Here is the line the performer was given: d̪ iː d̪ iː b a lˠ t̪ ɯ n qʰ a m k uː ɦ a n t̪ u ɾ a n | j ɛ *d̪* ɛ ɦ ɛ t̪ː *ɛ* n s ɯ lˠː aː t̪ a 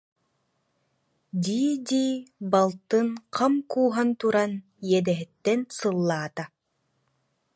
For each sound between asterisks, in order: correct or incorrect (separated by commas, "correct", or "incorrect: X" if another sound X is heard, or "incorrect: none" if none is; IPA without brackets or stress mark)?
correct, correct